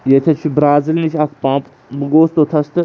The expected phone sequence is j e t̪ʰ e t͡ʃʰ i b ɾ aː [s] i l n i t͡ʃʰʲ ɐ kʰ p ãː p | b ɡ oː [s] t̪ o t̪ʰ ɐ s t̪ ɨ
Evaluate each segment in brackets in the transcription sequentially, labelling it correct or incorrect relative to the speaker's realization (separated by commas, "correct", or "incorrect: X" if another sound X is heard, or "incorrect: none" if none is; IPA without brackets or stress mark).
incorrect: z, correct